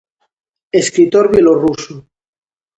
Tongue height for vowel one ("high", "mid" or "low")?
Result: mid